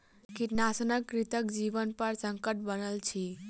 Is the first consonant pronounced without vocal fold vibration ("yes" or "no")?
yes